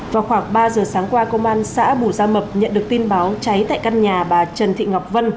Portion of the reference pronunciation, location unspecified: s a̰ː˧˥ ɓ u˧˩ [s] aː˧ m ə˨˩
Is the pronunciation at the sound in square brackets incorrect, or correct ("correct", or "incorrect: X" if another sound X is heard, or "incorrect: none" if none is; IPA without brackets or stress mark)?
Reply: incorrect: z